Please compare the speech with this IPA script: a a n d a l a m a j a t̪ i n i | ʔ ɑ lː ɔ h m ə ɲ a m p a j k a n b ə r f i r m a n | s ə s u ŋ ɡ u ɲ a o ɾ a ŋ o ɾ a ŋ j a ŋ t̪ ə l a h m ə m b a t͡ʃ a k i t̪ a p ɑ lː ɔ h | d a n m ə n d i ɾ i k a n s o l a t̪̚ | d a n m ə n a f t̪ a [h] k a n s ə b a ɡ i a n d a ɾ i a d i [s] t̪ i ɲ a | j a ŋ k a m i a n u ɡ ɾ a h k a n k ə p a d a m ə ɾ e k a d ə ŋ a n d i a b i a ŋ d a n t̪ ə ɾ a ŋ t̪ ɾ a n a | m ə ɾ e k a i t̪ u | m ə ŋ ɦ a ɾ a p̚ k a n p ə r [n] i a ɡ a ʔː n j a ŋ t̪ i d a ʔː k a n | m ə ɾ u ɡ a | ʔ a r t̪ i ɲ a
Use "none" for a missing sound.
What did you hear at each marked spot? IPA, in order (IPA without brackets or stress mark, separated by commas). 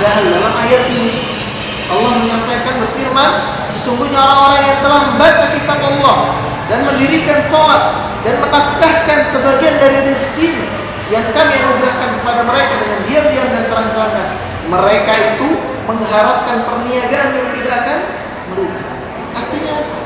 h, s, n